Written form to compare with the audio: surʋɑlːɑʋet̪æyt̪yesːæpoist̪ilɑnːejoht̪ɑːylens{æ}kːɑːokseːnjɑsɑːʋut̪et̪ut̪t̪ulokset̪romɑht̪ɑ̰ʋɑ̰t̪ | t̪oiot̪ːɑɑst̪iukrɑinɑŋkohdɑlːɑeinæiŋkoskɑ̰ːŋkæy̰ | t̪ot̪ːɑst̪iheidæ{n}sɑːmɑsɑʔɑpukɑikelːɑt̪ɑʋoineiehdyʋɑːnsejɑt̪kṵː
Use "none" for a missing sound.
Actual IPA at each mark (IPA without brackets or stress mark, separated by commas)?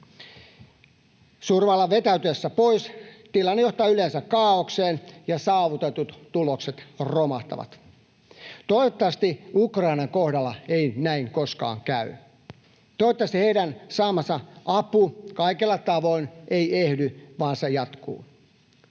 æ, n